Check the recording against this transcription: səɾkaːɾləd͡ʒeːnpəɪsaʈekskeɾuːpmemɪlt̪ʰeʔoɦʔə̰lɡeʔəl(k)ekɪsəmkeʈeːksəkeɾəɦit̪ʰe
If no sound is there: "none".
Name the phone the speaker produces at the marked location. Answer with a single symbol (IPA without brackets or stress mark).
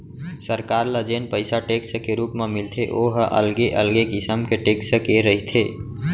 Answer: ɡ